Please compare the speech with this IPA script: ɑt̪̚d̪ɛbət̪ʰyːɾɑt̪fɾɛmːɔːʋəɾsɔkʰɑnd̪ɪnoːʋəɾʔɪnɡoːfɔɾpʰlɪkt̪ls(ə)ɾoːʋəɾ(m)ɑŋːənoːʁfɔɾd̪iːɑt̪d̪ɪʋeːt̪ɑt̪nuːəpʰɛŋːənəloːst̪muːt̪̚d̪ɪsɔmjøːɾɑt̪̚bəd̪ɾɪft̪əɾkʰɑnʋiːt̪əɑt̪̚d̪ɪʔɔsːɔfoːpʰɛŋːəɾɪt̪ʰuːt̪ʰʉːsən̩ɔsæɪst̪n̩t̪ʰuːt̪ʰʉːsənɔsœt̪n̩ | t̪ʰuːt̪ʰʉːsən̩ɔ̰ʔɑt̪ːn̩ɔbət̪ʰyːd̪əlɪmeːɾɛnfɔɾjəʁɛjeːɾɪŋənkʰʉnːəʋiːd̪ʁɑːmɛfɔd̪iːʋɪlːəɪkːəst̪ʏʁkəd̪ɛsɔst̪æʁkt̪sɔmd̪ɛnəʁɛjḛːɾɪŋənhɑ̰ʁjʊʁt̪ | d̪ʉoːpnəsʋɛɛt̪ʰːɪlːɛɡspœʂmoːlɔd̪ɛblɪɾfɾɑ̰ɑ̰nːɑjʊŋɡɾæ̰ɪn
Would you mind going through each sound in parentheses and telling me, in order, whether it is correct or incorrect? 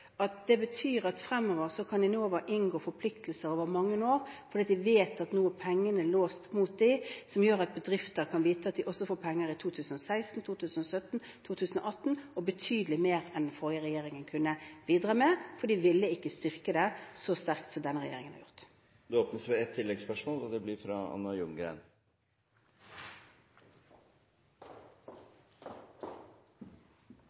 correct, correct

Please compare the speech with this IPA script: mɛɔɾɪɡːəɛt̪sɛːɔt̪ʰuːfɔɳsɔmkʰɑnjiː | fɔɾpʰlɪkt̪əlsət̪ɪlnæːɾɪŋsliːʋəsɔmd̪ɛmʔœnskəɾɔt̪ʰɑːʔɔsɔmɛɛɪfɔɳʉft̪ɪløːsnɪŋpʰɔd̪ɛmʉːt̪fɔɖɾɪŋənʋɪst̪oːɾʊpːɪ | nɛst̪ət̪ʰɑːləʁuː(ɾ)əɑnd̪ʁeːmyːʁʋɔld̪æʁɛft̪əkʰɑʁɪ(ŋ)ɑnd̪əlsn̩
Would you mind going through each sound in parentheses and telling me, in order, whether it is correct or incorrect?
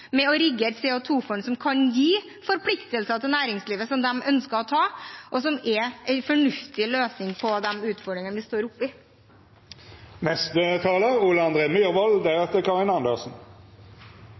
incorrect, incorrect

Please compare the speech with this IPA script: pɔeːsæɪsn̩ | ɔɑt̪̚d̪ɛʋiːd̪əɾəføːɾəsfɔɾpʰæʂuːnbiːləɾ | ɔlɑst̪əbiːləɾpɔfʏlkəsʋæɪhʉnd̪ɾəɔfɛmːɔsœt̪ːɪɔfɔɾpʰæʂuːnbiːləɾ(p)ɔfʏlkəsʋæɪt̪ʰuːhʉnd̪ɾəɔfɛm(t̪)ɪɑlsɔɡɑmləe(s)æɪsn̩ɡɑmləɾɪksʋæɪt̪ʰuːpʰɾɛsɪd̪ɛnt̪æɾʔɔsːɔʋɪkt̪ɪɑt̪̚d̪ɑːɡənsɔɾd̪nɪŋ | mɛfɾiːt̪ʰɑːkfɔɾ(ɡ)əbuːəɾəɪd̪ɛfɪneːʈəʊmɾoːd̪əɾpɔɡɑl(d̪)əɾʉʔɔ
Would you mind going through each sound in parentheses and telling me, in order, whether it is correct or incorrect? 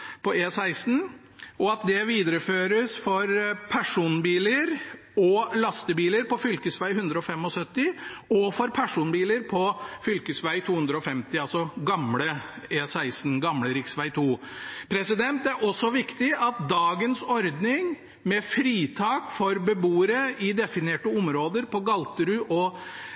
incorrect, correct, correct, incorrect, incorrect

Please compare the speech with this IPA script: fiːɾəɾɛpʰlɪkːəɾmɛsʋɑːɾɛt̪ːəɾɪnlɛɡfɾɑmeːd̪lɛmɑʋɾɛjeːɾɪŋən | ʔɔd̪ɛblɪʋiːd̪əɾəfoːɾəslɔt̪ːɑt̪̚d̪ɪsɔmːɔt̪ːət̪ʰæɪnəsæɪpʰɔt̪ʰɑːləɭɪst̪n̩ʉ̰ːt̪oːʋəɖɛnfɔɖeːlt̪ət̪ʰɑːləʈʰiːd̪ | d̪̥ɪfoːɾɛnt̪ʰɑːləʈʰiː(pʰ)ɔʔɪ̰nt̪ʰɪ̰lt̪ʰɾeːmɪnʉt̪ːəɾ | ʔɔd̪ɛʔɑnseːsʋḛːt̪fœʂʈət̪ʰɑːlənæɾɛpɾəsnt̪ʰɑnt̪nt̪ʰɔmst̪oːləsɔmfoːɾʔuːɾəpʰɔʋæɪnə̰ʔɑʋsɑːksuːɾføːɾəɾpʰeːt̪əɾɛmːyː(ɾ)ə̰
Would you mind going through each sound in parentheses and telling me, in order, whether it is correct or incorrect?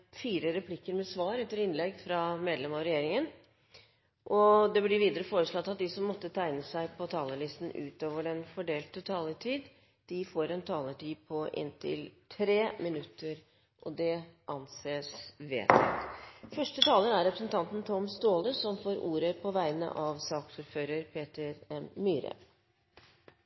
correct, correct

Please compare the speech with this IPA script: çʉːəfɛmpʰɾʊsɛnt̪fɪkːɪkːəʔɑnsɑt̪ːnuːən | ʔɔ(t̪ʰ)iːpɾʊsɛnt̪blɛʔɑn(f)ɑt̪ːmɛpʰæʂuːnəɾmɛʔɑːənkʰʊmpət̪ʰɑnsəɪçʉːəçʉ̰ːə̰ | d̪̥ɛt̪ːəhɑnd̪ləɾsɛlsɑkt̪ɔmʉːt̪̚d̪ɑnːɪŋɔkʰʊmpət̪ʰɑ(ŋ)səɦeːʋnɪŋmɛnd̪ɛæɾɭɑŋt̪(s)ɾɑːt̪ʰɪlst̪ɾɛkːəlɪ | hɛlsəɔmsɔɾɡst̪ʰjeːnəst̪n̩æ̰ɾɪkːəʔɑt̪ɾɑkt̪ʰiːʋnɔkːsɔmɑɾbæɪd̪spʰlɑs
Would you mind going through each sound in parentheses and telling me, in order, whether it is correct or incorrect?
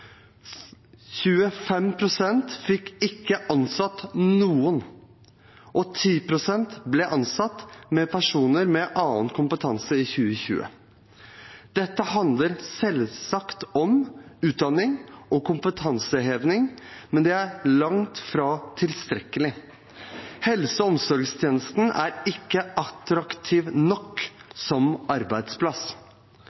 correct, incorrect, incorrect, incorrect

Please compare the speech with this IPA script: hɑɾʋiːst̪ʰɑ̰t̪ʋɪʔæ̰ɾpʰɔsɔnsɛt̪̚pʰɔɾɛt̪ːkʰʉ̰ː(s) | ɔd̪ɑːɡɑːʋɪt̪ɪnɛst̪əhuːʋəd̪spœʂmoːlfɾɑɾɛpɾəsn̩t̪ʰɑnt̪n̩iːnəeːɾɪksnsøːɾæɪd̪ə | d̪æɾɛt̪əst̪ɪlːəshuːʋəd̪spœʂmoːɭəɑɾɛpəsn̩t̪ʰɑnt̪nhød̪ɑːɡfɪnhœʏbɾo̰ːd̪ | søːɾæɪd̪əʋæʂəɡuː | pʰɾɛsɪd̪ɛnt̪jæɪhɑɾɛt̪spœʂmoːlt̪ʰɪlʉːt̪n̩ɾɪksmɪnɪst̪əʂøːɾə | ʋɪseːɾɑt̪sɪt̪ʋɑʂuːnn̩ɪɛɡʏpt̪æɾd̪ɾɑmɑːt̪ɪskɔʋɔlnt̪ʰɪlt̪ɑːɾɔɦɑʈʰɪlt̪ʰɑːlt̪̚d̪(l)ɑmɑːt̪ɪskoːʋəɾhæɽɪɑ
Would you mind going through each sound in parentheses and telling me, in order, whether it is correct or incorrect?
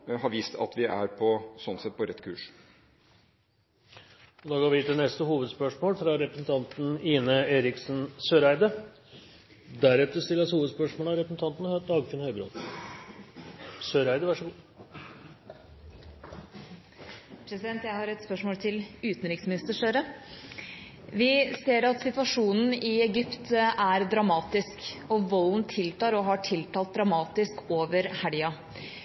incorrect, incorrect

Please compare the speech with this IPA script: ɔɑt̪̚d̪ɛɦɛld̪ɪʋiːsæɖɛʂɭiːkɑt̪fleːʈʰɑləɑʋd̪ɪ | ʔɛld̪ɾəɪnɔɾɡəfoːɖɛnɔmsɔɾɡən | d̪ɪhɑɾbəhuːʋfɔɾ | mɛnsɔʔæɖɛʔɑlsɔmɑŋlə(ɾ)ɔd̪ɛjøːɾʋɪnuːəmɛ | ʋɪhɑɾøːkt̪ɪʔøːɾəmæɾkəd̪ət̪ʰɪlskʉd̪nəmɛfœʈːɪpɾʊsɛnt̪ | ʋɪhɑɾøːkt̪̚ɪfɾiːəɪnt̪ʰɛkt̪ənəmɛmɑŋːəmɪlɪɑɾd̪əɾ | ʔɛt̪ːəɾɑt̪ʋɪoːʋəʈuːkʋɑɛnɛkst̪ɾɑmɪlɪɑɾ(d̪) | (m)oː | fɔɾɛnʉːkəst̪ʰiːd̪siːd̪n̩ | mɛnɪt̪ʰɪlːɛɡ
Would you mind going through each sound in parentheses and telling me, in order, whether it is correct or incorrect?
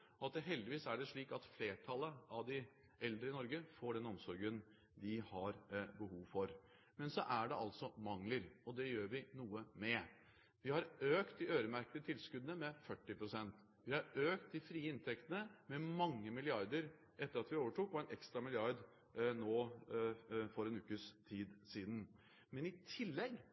correct, correct, incorrect

